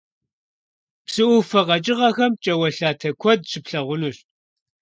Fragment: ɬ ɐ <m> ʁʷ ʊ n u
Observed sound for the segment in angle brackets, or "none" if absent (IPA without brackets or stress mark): none